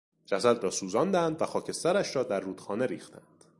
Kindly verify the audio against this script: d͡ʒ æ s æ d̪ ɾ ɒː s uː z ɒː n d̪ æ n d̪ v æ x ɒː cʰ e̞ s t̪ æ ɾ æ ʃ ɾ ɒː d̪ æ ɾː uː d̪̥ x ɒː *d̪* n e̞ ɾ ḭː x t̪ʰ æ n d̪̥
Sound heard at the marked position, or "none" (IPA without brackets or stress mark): none